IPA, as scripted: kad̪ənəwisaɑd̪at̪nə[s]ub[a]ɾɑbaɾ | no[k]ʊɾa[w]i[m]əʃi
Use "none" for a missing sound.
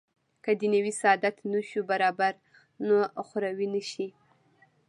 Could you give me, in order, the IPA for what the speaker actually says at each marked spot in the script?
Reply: ʃ, a, x, w, n

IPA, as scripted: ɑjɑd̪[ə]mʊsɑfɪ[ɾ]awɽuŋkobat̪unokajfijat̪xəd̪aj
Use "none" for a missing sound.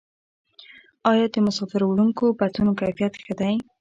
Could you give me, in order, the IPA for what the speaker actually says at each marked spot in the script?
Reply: ə, ɾ

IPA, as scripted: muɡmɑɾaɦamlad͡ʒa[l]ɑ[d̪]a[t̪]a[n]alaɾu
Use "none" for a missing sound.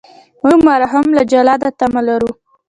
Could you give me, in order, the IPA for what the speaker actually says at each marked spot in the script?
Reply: l, d̪, t̪, m

